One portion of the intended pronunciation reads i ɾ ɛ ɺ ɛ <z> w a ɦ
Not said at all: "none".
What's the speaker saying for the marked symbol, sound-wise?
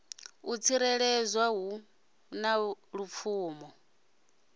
z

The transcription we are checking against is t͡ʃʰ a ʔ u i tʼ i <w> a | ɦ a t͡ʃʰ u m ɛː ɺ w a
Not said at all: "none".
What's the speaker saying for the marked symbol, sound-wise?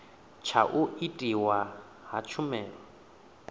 w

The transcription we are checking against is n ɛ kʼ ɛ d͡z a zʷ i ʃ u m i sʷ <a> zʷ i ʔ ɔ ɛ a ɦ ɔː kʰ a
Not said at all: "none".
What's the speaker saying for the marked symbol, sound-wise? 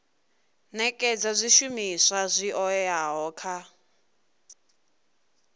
a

